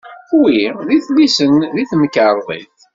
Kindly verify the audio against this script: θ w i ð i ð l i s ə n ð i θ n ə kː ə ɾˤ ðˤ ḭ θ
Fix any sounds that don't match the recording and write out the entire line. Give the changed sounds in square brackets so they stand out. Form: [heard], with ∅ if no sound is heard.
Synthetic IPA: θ w i ð i [θ] l i s ə n ð i θ [m] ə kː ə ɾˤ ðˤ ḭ θ